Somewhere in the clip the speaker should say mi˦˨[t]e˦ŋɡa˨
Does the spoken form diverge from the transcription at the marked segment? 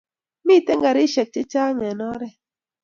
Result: no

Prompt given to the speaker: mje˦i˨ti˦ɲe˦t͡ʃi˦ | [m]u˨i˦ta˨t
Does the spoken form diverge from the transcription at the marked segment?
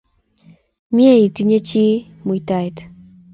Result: no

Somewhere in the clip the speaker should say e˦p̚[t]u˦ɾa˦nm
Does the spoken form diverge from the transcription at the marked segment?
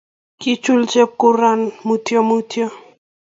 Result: yes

